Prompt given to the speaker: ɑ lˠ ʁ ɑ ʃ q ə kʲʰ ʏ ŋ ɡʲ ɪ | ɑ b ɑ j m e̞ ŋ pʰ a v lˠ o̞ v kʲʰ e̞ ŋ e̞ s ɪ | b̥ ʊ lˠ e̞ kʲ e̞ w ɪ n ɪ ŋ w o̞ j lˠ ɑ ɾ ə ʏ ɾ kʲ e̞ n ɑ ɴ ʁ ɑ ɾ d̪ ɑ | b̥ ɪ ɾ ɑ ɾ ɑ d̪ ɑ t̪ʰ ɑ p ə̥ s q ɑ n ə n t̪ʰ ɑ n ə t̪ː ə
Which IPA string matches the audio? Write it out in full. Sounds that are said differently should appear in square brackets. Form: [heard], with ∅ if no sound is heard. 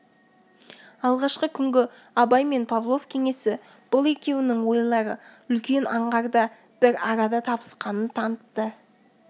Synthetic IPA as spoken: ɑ lˠ ʁ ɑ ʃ q ə kʲʰ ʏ ŋ ɡʲ ɪ | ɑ b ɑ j m e̞ [n] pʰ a v lˠ o̞ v kʲʰ e̞ ŋ e̞ s ɪ | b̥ ʊ lˠ e̞ kʲ e̞ w ɪ n ɪ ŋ w o̞ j lˠ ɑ ɾ ə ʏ [l] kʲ e̞ n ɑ ɴ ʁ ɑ ɾ d̪ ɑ | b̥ ɪ ɾ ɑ ɾ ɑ d̪ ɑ t̪ʰ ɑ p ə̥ s q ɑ n ə n t̪ʰ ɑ n ə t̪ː ə